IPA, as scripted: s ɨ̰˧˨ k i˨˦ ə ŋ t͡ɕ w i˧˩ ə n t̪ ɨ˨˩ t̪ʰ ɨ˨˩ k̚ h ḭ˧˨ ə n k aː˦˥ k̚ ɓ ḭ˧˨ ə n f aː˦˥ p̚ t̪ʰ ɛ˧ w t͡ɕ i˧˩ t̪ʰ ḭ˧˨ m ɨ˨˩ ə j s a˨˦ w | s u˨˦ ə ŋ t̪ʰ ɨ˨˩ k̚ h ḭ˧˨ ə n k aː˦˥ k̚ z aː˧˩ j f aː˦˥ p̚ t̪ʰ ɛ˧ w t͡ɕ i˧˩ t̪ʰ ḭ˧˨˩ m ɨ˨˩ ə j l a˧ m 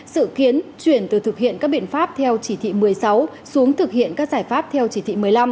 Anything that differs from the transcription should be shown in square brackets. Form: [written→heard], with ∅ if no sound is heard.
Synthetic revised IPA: s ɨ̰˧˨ k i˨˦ ə [ŋ→n] t͡ɕ w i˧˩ ə n t̪ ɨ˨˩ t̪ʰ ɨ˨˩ k̚ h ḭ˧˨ ə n k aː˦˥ k̚ ɓ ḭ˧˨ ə n f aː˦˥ p̚ t̪ʰ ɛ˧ w t͡ɕ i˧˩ t̪ʰ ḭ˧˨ m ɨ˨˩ ə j s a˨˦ w | s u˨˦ ə ŋ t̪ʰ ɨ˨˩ k̚ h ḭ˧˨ ə n k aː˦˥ k̚ z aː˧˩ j f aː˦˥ p̚ t̪ʰ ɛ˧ w t͡ɕ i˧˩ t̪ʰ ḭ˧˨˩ m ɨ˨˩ ə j l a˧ m